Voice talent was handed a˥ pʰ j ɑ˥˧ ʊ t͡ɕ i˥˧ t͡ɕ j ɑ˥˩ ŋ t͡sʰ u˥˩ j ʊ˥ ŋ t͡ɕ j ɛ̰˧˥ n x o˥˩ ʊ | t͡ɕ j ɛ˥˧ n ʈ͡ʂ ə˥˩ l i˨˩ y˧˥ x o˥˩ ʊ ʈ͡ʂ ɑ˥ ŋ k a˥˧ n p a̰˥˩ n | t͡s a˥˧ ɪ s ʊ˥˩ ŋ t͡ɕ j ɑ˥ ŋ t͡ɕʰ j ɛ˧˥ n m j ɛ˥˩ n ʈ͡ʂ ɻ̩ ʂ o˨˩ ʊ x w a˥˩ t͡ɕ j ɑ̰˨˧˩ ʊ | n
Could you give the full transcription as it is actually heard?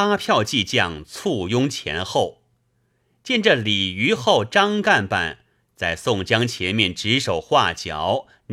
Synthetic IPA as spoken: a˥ pʰ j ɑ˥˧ ʊ t͡ɕ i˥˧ t͡ɕ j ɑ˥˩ ŋ t͡sʰ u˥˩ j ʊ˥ ŋ t͡ɕʰ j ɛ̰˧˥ n x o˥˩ ʊ | t͡ɕ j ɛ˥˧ n ʈ͡ʂ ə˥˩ l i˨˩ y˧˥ x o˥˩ ʊ ʈ͡ʂ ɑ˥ ŋ k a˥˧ n p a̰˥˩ n | t͡s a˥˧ ɪ s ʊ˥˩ ŋ t͡ɕ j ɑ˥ ŋ t͡ɕʰ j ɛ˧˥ n m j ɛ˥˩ n ʈ͡ʂ ɻ̩ ʂ o˨˩ ʊ x w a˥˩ t͡ɕ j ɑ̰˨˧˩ ʊ | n